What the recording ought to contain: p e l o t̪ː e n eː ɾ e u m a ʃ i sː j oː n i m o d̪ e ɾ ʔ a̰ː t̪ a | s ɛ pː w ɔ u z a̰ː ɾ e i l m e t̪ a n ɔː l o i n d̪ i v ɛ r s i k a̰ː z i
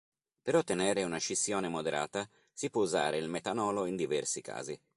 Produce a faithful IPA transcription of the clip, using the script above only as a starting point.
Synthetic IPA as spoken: p e ɾ o t̪ː e n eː ɾ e u n a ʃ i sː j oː n e m o d̪ e ɾ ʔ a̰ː t̪ a | s i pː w ɔ u z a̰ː ɾ e i l m e t̪ a n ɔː l o i n d̪ i v ɛ r s i k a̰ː z i